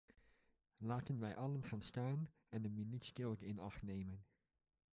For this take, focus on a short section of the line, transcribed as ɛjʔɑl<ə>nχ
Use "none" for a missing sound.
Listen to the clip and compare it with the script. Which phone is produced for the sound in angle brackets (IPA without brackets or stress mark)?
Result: ə